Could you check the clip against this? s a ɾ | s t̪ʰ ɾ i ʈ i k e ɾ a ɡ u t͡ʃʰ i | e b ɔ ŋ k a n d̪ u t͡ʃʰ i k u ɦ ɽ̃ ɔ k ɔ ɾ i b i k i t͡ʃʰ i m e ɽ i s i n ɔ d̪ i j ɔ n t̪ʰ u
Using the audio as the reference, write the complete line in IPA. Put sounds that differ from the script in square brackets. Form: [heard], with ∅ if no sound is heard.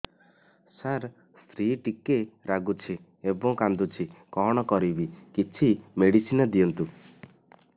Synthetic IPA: s a ɾ | s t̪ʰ ɾ i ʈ i k e ɾ a ɡ u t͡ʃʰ i | e b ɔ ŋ k a n d̪ u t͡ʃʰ i k [ɔ] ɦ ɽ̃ ɔ k ɔ ɾ i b i k i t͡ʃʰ i m e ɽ i s i n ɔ d̪ i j ɔ n [t̪] u